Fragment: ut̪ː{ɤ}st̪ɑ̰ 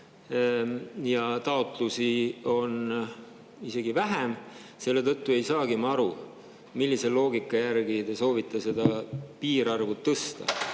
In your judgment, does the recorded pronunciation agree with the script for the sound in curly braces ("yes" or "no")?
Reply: yes